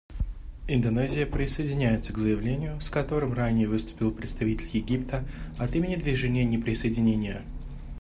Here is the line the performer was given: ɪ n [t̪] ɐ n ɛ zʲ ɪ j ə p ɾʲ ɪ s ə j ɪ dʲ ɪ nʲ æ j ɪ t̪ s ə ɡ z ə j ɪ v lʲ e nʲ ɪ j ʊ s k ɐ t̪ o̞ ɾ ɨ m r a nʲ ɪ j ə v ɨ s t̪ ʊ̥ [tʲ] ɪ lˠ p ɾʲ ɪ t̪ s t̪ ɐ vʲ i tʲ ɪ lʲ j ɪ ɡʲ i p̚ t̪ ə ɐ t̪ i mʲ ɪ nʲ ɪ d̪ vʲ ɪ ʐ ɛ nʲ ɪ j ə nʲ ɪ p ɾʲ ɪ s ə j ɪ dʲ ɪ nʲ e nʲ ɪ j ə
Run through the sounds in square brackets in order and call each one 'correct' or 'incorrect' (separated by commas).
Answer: incorrect, incorrect